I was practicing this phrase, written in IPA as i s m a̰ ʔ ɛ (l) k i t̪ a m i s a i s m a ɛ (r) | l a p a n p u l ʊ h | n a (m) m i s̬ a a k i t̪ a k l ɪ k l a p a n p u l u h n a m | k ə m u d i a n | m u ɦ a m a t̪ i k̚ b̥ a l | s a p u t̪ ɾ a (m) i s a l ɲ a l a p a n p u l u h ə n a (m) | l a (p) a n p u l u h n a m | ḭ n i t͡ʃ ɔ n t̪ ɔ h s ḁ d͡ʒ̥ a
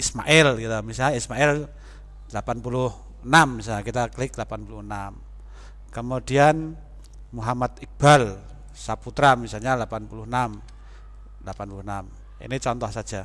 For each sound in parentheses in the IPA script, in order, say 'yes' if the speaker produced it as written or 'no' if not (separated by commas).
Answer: yes, no, yes, yes, yes, yes